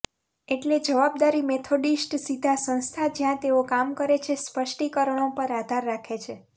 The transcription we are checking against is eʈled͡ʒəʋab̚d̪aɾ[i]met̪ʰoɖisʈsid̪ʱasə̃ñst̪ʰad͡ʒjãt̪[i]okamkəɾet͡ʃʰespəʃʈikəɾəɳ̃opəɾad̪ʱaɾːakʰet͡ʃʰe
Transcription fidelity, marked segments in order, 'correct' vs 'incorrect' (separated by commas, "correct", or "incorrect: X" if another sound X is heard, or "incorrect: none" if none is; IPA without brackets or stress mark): correct, incorrect: e